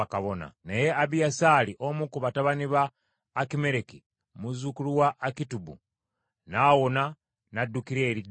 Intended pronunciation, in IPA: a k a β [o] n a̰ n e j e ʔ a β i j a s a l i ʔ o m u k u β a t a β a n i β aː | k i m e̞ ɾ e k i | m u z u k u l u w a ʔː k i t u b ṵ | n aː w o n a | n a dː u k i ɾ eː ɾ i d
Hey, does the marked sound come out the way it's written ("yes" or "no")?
yes